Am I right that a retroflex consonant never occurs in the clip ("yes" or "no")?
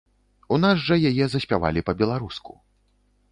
no